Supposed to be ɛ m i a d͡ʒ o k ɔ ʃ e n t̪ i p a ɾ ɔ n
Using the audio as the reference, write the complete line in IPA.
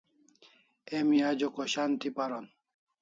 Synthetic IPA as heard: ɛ m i a d͡ʒ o k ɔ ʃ a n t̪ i p a ɾ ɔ n